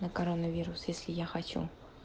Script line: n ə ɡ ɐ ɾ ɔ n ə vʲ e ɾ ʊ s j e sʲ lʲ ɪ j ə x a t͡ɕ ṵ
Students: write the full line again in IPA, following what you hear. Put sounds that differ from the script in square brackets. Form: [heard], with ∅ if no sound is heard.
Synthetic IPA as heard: n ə [k] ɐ ɾ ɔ n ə vʲ [i] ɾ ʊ s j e sʲ lʲ ɪ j [a] x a t͡ɕ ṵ